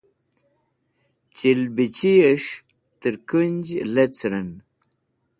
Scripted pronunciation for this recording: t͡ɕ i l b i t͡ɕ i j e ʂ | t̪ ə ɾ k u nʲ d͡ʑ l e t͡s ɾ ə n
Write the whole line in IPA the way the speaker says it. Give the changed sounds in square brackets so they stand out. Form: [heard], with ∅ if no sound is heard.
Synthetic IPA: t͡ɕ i l b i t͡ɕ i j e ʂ | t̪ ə ɾ k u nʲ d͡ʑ l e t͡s ɾ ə n